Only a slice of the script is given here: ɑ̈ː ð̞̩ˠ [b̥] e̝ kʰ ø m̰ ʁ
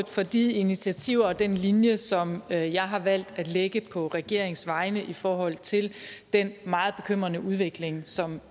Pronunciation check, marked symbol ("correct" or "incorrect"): correct